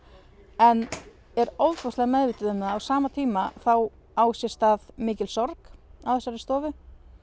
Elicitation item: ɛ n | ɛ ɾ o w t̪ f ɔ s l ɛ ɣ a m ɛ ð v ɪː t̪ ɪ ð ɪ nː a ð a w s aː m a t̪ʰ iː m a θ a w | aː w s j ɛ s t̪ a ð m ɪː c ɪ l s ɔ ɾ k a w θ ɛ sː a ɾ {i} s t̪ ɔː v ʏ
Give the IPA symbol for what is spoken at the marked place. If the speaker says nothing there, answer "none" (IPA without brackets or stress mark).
ɪ